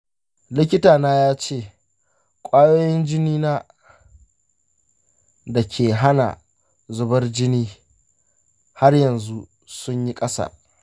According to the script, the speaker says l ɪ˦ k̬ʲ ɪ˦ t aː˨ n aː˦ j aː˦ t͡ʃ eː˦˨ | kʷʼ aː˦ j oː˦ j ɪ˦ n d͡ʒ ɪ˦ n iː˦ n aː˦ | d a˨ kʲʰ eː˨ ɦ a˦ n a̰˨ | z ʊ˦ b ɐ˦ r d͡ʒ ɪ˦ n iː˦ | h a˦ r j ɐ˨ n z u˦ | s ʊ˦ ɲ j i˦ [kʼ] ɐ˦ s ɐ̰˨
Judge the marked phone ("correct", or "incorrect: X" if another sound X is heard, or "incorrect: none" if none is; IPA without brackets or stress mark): correct